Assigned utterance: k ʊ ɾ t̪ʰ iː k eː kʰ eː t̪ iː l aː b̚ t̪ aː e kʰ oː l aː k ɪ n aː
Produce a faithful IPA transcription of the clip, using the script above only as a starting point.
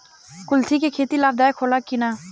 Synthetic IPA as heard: k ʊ l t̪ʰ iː k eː kʰ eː t̪ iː l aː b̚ d̪ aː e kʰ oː l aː k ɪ n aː